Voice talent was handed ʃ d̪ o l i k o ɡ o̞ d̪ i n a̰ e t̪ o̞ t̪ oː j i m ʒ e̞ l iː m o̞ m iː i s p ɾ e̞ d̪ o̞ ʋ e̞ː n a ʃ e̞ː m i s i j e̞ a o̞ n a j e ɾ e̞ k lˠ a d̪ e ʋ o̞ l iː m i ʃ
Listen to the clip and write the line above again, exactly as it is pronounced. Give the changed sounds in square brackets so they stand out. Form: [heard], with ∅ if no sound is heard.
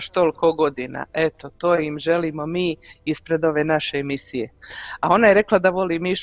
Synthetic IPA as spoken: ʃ [t̪] o l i k o ɡ o̞ d̪ i n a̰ e t̪ o̞ t̪ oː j i m ʒ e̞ l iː m o̞ m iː i s p ɾ e̞ d̪ o̞ ʋ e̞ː n a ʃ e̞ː m i s i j e̞ a o̞ n a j e ɾ e̞ k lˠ a d̪ [a] ʋ o̞ l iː m i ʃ